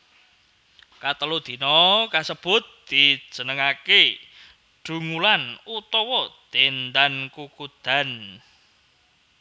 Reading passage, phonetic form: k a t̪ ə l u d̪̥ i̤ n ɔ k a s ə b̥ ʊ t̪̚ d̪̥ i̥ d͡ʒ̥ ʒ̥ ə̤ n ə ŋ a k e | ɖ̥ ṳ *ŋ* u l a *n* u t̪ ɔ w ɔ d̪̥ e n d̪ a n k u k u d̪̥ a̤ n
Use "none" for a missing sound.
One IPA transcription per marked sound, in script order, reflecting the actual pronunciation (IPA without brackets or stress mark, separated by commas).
ŋ, n